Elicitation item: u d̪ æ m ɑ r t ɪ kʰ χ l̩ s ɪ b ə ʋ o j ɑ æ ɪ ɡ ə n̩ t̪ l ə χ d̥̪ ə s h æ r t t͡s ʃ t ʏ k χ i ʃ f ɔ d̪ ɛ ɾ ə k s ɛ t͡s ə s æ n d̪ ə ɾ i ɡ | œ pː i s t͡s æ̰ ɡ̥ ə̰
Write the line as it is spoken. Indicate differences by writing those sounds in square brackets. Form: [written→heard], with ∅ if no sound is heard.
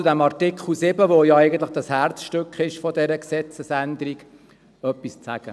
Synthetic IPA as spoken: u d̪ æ m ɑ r t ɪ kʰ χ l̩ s ɪ b ə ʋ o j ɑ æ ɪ ɡ ə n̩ t̪ l ə χ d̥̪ [ə→ɑ] s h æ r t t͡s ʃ t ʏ k χ [i→ɪ] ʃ f ɔ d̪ ɛ ɾ ə k s ɛ t͡s ə s æ n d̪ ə ɾ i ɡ | œ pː i s t͡s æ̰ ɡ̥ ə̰